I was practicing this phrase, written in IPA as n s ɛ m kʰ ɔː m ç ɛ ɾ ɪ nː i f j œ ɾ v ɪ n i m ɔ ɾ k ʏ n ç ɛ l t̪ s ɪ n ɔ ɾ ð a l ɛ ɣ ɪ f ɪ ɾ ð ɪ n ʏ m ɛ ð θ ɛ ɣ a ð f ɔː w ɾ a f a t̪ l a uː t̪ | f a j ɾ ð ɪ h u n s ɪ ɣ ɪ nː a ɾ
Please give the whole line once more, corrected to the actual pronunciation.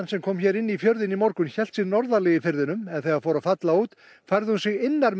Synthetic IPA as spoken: n s ɛ m kʰ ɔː m ç ɛ ɾ ɪ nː i f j œ ɾ ð ɪ n i m ɔ ɾ k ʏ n ç ɛ l t̪ s ɪ n ɔ ɾ ð a l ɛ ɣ ɪ f ɪ ɾ ð ɪ n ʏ m ɛ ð θ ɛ ɣ a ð f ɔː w ɾ a f a t̪ l a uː t̪ | f a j ɾ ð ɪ h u n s ɪ ɣ ɪ nː a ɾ

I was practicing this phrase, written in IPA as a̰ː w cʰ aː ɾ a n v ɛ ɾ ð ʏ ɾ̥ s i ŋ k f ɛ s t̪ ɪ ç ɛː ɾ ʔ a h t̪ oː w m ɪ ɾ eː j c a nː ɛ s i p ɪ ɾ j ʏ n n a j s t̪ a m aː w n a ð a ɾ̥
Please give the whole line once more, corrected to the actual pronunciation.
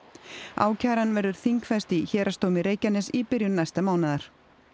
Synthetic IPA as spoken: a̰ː w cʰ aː ɾ a n v ɛ ɾ ð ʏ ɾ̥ θ i ŋ k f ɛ s t̪ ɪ ç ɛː ɾ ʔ a s t̪ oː w m ɪ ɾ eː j c a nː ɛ s i p ɪ ɾ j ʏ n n a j s t̪ a m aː w n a ð a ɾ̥

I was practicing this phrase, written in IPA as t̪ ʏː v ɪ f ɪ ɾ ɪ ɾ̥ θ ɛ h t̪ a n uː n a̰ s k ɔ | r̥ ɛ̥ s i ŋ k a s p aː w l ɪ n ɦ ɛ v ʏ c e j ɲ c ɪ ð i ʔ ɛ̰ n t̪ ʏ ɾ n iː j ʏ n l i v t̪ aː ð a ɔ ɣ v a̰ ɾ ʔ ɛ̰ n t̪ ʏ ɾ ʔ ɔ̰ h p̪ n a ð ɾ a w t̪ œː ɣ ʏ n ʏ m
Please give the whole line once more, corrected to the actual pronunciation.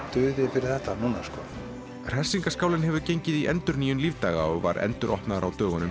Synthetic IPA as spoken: t̪ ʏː ð ɪ f ɪ ɾ ɪ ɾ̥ θ ɛ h t̪ a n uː n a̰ s k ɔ | r̥ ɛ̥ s i ŋ k a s k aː w l ɪ n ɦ ɛ v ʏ c e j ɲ c ɪ ð i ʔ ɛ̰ n t̪ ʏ ɾ n iː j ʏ n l i v t̪ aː ɣ a ɔ ɣ v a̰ ɾ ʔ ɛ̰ n t̪ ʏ ɾ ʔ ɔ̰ h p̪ n a ð ɾ a w t̪ œː ɣ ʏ n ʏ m

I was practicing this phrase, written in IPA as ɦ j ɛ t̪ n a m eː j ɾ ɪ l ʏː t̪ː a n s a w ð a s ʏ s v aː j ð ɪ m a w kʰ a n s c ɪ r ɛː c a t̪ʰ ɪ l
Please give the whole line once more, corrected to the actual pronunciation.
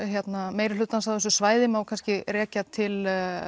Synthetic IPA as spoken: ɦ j ɛ t̪ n a m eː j ɾ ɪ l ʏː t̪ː a n s a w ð ɛ s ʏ s v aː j ð ɪ m a w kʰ a n s c ɪ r ɛː c a t̪ʰ ɪ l

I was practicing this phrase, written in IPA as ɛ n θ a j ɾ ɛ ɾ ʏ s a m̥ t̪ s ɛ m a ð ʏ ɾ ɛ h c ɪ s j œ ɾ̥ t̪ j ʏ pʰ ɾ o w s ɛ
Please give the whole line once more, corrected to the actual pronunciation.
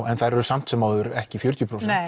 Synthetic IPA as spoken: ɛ n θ a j ɾ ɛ ɾ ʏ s a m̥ t̪ s ɛ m a ð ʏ ɾ ɛ h c ɪ f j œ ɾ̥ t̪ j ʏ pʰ ɾ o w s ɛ

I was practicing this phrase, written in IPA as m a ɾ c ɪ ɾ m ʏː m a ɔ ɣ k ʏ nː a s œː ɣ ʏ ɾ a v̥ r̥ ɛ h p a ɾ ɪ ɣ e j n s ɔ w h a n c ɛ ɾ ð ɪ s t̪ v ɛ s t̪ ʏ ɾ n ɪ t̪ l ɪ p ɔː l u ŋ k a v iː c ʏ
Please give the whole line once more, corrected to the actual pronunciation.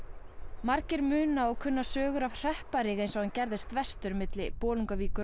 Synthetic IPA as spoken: m a ɾ c ɪ ɾ m ʏː n a ɔ ɣ kʰ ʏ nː a s œː ɣ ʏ ɾ a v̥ r̥ ɛ h p a ɾ ɪ ɣ e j n s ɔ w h a n c ɛ ɾ ð ɪ s t̪ v ɛ s t̪ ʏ ɾ m ɪ t̪ l ɪ p ɔː l u ŋ k a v iː k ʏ

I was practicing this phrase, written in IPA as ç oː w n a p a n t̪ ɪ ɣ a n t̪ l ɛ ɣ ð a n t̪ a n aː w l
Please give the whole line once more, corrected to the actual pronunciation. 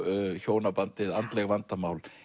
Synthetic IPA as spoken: ç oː w n a p a n t̪ ɪ ð a n t̪ l ɛ ɣ v a n t̪ a m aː w l

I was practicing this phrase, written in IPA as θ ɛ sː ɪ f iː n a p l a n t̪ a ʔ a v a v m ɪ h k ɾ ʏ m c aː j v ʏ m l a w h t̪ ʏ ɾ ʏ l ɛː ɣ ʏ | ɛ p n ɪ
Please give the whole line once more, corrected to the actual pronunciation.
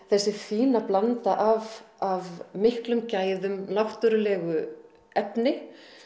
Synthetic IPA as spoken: θ ɛ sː ɪ f iː n a p l a n t̪ a ʔ a v a v m ɪ h k l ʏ m c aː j ð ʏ m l a w h t̪ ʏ ɾ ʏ l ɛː ɣ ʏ | ɛ p n ɪ

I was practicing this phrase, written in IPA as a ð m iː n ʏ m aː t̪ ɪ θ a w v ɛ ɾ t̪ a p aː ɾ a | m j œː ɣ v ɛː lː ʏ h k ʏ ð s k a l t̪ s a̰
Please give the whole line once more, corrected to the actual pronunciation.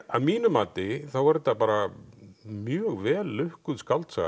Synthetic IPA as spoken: a ð m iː n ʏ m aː t̪ ɪ θ a w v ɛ ɾ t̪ a p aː ɾ a | m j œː ɣ v ɛː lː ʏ h k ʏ ð s k a l t̪ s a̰

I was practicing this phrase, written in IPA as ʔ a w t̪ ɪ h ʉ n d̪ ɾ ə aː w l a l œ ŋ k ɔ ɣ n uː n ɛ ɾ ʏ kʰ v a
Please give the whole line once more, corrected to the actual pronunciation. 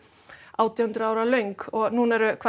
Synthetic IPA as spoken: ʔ a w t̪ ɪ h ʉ n d̪ ɾ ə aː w ɾ a l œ ŋ k ɔ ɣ n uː n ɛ ɾ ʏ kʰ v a

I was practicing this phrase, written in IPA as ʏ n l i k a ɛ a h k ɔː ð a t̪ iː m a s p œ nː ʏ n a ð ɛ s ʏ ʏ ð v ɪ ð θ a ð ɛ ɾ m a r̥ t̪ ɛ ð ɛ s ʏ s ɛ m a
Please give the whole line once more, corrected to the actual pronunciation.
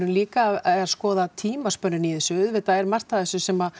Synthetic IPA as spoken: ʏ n l iː k a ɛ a s k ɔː ð a t̪ʰ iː m a s p œ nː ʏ n i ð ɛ s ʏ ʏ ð v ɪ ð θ a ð ɛ ɾ m a r̥ t̪ a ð ɛ s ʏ s ɛ m a

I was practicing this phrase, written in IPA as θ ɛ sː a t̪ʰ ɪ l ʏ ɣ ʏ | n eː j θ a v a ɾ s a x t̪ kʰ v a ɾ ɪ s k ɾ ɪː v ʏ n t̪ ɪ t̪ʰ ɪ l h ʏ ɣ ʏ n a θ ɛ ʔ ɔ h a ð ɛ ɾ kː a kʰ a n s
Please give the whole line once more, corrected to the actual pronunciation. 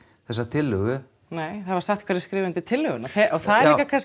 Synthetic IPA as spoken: θ ɛ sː a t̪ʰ ɪ l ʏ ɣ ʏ | n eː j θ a v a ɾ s a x t̪ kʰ v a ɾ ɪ s k ɾ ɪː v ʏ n t̪ ɪ t̪ʰ ɪ l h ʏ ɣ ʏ n a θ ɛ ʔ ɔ θ a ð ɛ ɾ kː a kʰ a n s

